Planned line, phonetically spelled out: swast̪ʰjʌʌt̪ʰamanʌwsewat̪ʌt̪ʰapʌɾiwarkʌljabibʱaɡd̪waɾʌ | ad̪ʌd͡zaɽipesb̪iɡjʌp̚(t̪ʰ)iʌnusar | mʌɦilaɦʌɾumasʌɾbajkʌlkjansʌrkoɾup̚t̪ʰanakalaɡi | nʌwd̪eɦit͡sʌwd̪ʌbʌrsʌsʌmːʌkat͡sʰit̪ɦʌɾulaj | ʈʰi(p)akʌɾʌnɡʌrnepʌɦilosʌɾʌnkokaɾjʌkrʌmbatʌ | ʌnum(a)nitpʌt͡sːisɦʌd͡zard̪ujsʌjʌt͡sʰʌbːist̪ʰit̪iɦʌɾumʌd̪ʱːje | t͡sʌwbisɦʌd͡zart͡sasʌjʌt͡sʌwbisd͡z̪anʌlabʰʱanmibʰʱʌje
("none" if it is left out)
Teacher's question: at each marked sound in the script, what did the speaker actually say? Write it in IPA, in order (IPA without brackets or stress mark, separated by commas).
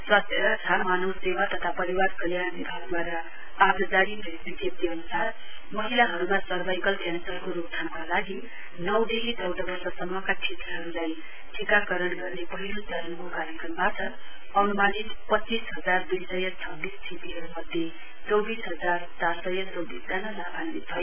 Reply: t̪, k, a